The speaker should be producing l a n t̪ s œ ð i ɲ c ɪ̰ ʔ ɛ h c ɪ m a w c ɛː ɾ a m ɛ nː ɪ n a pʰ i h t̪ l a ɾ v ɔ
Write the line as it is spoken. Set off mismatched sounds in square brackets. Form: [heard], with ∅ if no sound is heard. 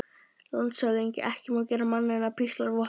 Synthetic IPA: l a n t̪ s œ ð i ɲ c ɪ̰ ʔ ɛ h c ɪ m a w c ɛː ɾ a m [a] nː ɪ n a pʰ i [s] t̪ l a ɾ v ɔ